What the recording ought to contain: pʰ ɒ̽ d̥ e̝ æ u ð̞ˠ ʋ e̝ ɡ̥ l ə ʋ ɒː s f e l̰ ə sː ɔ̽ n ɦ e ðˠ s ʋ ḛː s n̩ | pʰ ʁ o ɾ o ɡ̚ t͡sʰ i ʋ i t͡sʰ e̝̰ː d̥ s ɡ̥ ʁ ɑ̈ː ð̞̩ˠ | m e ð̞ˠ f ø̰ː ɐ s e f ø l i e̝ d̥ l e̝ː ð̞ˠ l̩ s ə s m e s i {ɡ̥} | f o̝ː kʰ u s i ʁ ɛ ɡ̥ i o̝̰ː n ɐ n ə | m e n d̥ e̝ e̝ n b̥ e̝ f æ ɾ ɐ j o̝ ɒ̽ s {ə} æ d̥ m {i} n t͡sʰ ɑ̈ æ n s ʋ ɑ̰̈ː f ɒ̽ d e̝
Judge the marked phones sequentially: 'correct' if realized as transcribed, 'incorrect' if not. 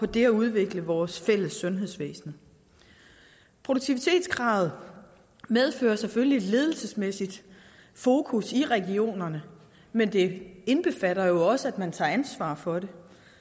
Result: incorrect, correct, incorrect

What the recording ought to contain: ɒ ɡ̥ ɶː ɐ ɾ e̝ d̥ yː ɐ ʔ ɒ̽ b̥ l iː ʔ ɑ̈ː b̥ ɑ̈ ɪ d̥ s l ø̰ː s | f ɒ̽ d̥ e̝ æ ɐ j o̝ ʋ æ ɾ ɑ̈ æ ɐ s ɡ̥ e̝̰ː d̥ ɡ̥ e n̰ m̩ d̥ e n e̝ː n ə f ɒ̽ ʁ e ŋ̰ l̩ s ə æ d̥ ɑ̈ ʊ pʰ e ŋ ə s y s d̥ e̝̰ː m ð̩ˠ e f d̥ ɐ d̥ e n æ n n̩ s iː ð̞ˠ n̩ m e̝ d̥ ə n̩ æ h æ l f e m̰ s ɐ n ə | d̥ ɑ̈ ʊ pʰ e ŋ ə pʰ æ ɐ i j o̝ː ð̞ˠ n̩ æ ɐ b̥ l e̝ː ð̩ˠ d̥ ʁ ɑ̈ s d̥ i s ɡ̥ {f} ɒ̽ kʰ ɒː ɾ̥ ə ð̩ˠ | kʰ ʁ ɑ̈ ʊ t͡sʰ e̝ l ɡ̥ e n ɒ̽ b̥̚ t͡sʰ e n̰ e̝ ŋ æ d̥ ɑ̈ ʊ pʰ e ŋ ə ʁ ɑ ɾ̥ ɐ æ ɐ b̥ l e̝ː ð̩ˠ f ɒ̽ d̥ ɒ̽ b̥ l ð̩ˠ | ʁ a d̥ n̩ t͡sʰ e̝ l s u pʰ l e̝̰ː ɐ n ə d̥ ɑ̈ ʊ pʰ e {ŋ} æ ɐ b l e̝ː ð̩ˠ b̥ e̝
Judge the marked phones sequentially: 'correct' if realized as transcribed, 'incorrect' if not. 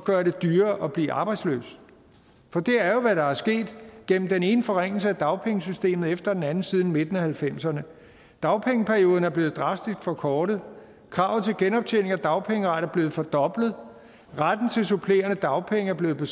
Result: correct, correct

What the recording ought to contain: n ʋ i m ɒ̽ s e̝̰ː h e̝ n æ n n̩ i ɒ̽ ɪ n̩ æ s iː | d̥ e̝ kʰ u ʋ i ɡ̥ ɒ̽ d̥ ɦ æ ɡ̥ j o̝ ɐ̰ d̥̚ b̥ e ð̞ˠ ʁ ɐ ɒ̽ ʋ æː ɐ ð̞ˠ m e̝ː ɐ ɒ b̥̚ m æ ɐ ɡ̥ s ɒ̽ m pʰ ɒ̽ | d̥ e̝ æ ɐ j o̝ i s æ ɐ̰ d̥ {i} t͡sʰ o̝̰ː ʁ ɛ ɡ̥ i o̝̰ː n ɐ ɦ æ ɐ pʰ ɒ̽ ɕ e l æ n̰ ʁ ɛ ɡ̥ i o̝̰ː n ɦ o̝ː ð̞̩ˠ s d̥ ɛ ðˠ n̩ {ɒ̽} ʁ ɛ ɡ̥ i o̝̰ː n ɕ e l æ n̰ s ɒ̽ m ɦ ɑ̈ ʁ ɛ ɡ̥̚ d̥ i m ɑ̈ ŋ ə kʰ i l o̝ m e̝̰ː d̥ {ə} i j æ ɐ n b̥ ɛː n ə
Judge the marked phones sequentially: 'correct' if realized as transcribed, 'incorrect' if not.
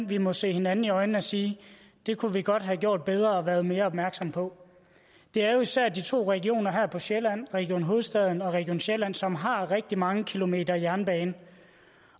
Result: correct, correct, incorrect

